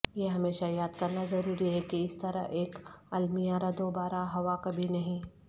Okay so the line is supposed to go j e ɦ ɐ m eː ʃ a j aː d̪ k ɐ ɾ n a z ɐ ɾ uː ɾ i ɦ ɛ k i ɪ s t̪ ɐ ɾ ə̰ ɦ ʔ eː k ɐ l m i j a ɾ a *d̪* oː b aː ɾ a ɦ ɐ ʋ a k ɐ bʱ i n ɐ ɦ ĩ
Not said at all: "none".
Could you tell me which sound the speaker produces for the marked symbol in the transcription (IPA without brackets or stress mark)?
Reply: d̪